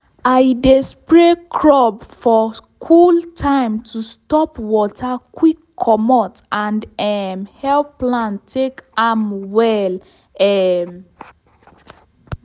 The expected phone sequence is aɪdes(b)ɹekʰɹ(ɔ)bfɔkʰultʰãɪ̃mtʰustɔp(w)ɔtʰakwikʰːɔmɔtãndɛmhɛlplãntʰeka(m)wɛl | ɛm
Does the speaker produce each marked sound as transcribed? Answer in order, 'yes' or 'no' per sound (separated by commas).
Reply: no, yes, yes, yes